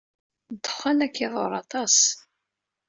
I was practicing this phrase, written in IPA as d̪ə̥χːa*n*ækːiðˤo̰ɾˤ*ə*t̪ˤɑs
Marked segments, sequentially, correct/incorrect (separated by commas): correct, incorrect